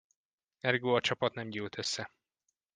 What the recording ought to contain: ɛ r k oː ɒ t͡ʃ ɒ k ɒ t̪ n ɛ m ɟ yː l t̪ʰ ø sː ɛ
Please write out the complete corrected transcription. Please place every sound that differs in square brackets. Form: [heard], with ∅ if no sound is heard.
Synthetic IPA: ɛ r [ɡ] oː ɒ t͡ʃ ɒ [p] ɒ t̪ n ɛ m ɟ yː l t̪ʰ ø sː ɛ